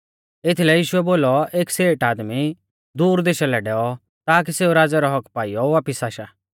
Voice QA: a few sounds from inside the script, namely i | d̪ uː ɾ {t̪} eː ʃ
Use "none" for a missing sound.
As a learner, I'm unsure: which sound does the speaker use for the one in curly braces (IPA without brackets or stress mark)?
d̪